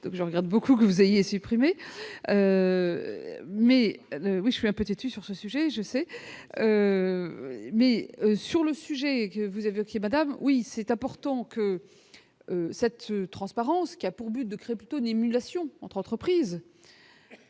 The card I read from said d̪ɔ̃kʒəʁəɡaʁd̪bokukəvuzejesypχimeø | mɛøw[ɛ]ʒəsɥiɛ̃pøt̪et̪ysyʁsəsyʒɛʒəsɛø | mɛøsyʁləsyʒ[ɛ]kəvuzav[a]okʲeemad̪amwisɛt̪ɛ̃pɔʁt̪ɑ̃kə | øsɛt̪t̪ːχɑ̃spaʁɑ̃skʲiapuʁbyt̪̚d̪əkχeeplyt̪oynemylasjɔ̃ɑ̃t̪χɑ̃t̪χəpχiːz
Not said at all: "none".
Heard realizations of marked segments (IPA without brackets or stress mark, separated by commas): i, ɛ, e